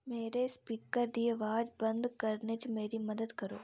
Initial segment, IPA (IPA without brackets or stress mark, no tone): m